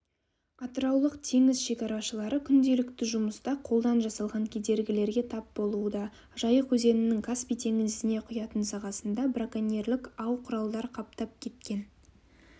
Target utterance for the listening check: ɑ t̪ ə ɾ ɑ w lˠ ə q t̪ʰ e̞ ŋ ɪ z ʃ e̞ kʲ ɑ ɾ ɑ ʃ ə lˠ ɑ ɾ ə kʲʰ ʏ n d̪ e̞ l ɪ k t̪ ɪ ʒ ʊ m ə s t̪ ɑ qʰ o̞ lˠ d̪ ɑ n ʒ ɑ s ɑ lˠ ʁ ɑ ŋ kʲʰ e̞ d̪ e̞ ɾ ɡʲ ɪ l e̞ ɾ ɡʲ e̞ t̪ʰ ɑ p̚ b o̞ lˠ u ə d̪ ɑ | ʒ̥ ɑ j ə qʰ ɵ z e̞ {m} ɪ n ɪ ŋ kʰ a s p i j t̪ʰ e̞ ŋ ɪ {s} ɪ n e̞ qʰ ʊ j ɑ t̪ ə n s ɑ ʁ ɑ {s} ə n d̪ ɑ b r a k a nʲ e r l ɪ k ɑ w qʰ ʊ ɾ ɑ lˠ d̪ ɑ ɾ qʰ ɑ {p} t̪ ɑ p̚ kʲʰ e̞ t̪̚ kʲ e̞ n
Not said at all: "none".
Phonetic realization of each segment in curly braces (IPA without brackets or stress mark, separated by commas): n, z, s, p